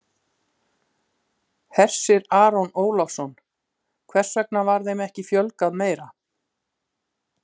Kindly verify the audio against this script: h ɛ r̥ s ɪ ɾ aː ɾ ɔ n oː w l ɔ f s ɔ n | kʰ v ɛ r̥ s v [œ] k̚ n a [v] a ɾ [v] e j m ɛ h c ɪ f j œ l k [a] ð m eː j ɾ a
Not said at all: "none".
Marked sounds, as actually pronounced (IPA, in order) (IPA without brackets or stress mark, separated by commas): ɛ, v, ð, a